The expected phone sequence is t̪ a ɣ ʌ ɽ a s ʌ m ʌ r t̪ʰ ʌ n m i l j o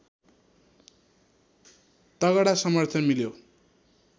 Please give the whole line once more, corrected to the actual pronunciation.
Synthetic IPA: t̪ ʌ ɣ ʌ ɽ a s ʌ m ʌ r t̪ʰ ʌ n m i l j o